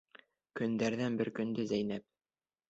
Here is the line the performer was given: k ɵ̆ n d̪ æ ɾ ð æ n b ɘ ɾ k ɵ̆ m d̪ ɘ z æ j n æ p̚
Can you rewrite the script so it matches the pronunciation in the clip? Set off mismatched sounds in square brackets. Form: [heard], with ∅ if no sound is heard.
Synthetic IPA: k ɵ̆ n d̪ æ ɾ ð æ n b ɘ ɾ k ɵ̆ [n] d̪ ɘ z æ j n æ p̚